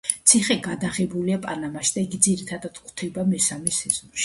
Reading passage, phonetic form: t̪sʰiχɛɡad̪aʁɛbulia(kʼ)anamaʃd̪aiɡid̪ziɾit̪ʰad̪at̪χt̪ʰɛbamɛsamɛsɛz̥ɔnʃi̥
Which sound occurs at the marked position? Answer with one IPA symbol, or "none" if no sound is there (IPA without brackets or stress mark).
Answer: pʼ